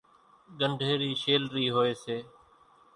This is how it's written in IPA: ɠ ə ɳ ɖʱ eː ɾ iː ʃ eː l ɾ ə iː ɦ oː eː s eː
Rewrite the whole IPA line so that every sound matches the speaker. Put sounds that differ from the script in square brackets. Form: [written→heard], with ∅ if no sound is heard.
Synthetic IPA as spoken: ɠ ə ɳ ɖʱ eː ɾ iː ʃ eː l ɾ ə iː ɦ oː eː s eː